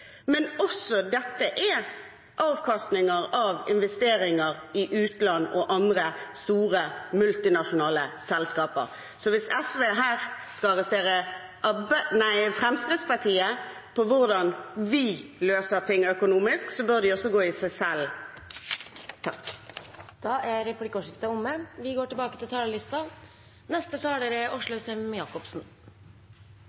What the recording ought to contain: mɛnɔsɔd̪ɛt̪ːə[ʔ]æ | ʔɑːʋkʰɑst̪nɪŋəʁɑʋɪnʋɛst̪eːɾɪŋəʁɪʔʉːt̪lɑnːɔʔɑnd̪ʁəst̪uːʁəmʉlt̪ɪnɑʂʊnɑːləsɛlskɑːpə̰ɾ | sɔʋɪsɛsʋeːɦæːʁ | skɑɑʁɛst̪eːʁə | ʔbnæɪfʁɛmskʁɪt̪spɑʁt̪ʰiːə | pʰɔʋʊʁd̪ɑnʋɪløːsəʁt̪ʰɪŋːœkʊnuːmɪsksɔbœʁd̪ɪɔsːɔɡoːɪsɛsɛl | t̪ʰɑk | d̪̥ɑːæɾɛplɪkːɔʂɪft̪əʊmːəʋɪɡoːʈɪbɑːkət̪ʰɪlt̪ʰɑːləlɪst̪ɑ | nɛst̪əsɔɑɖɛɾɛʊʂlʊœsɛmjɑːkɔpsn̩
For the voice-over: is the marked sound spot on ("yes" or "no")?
yes